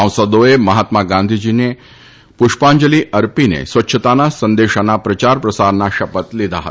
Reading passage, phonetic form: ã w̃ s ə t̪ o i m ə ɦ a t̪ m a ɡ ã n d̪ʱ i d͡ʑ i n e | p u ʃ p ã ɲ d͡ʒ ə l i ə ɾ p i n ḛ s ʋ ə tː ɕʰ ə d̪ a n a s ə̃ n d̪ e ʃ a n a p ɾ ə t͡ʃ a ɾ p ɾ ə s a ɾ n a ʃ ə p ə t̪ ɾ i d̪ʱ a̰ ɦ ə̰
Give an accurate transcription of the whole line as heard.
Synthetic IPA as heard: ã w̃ s ə d̪ o e m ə ɦ a t̪ m a ɡ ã n d̪ʱ i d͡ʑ i n e | p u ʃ p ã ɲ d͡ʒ ə l i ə ɾ p i n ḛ s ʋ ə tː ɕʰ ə t̪ a n a s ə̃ n d̪ e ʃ a n a p ɾ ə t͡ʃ a ɾ p ɾ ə s a ɾ n a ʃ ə p ə t̪ l i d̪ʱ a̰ ɦ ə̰